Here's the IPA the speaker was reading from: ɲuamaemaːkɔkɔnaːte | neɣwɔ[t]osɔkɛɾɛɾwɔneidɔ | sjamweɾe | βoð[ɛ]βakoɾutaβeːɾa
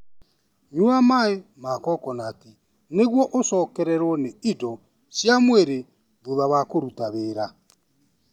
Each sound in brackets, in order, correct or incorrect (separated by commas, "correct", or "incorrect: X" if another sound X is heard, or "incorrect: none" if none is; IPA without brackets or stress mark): incorrect: ʔ, incorrect: a